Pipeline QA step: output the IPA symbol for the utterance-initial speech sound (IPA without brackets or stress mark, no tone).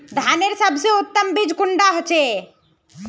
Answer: d̪ʱ